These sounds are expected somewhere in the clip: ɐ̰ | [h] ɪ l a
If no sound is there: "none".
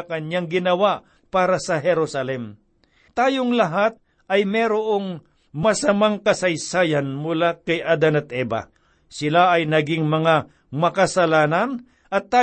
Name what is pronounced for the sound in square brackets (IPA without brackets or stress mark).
s